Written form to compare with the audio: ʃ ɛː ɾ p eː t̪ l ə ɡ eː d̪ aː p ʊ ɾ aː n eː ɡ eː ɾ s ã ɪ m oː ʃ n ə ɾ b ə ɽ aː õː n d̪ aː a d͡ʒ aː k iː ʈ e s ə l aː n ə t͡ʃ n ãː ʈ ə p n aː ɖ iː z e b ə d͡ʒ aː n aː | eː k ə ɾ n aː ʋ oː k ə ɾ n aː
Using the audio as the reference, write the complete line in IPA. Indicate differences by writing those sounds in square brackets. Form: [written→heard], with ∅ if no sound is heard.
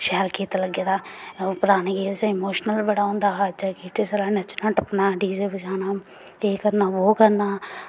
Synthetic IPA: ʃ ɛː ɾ [p→k] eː t̪ l ə ɡ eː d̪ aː p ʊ ɾ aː n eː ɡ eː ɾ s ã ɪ m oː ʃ n ə [ɾ→l] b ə ɽ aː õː n d̪ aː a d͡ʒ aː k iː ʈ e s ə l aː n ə t͡ʃ n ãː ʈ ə p n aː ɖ iː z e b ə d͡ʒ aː n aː | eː k ə ɾ n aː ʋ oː k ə ɾ n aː